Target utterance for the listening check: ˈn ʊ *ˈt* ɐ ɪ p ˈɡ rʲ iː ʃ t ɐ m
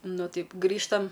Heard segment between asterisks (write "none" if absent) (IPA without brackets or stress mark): t